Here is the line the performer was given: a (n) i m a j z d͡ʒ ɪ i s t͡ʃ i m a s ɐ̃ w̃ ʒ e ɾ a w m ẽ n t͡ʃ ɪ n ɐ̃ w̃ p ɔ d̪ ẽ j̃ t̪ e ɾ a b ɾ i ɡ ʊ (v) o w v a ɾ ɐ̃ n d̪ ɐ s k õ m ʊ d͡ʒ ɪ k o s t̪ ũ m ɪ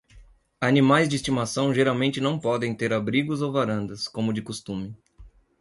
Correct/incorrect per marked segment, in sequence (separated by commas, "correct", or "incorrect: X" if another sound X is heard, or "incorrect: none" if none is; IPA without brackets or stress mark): correct, incorrect: z